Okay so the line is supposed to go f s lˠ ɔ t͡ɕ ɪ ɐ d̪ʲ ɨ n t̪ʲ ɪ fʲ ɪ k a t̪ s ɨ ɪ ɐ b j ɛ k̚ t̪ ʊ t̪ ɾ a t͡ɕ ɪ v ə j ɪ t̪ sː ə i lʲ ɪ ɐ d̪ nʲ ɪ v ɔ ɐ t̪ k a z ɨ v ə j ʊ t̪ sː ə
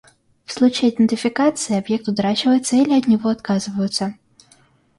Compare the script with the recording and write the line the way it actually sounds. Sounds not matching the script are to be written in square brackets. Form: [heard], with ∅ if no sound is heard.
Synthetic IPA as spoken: f s lˠ [u] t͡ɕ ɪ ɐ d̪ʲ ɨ n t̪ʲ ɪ fʲ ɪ k a t̪ s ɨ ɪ ɐ b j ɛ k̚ t̪ ʊ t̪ ɾ a t͡ɕ ɪ v ə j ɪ t̪ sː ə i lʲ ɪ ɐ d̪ nʲ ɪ v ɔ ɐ t̪ k a z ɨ v ə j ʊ t̪ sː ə